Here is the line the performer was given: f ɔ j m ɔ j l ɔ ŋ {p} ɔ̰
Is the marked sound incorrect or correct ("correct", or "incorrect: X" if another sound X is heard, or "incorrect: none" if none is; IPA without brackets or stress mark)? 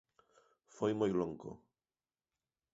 incorrect: k